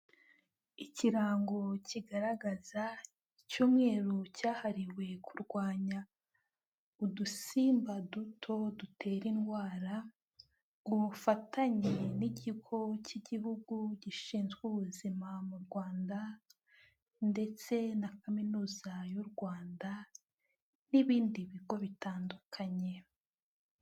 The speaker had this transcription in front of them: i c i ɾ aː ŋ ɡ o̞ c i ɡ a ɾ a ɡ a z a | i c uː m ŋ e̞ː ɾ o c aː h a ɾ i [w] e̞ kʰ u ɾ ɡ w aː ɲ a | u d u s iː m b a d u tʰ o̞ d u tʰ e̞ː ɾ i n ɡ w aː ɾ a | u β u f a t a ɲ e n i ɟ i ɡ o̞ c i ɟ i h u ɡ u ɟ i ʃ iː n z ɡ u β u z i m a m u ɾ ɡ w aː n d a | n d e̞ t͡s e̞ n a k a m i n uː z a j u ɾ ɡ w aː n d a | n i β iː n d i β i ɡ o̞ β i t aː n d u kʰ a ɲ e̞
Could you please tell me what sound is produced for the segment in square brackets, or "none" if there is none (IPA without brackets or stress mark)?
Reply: w